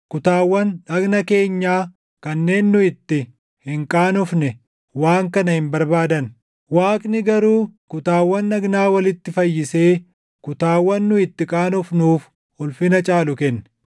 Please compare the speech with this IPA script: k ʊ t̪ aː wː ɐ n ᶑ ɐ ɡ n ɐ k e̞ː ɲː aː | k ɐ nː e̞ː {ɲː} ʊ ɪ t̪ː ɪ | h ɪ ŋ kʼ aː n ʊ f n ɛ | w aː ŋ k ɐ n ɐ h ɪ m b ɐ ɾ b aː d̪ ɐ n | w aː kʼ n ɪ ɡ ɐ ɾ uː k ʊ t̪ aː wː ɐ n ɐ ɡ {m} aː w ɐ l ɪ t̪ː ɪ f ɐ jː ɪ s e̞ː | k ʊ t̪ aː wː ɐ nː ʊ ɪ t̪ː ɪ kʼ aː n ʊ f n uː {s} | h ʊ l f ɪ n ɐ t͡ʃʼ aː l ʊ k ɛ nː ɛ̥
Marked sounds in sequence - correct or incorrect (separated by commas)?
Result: incorrect, incorrect, incorrect